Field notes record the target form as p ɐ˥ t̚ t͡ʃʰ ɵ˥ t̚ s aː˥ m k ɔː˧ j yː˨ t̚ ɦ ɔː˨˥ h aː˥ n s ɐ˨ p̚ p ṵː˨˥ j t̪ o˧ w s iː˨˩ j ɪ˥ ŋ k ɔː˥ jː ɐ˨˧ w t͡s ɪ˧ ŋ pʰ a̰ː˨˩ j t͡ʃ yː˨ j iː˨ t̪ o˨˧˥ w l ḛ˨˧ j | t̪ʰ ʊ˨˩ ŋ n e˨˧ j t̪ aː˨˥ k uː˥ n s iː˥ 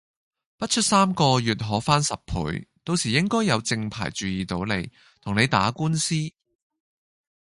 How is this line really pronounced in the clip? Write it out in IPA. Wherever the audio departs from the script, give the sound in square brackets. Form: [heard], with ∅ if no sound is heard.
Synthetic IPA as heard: p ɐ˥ t̚ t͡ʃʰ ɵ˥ t̚ s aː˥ m k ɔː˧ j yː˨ t̚ ɦ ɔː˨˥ [f] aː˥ n s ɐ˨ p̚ [pʰ] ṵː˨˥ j t̪ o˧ w s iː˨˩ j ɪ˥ ŋ k ɔː˥ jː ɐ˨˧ w t͡s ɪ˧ ŋ pʰ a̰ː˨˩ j t͡ʃ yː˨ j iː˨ t̪ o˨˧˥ w l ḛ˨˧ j | t̪ʰ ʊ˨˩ ŋ n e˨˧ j t̪ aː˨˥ k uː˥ n s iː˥